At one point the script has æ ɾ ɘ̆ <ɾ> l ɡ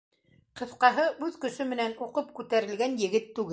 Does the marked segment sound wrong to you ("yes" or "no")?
yes